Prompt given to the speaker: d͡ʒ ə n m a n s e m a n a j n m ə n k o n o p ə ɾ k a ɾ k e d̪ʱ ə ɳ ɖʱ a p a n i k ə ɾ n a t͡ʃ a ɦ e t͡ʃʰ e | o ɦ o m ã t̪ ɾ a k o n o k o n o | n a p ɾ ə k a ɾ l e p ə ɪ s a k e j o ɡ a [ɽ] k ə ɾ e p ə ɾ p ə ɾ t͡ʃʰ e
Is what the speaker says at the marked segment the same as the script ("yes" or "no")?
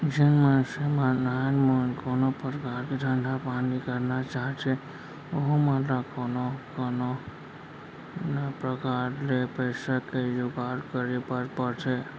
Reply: no